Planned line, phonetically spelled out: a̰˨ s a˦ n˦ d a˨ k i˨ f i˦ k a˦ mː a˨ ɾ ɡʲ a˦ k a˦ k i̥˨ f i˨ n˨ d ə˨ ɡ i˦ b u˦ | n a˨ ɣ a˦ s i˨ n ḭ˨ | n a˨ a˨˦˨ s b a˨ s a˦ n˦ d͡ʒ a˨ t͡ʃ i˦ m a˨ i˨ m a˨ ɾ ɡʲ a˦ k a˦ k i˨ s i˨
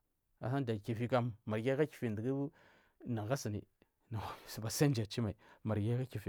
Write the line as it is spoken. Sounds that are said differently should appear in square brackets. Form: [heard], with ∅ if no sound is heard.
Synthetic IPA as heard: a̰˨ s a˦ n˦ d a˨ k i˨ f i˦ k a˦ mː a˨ ɾ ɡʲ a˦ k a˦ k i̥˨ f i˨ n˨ d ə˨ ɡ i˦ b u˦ | n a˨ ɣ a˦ s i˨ n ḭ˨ | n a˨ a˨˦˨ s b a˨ s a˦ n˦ d͡ʒ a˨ t͡ʃ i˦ m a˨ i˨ m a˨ ɾ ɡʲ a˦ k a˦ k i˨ [f] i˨